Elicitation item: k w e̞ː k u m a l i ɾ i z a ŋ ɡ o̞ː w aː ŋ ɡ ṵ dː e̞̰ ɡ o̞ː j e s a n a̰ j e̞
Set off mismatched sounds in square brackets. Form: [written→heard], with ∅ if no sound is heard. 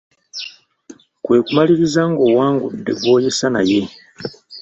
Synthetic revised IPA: k w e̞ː k u m a l i ɾ i z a ŋ ɡ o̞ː w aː ŋ ɡ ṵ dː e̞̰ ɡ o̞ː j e s a n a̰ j e̞